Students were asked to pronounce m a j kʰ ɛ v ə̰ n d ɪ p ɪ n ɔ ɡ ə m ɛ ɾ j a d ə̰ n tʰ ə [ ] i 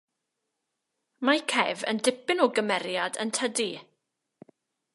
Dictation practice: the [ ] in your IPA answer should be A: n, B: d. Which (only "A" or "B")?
B